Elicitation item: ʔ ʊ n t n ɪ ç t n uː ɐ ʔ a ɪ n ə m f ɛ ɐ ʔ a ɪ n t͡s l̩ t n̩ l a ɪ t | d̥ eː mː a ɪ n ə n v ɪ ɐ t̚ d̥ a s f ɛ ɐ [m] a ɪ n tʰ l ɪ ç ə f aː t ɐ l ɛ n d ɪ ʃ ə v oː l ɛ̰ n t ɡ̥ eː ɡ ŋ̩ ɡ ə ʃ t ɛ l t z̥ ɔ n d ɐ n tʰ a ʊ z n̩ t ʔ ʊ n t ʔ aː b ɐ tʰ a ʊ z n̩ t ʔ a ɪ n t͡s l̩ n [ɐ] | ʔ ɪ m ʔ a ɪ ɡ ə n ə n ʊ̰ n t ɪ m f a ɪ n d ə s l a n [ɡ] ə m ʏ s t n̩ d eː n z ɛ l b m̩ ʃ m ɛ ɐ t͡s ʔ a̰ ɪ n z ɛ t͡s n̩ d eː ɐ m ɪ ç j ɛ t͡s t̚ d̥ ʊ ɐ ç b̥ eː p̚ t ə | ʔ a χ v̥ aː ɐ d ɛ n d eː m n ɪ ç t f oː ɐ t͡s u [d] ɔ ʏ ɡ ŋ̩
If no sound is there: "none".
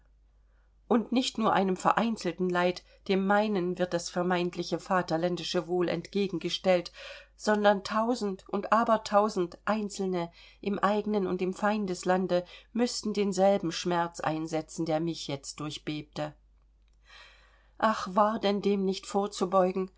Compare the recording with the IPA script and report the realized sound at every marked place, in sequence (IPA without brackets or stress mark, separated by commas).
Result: m, ə, d, b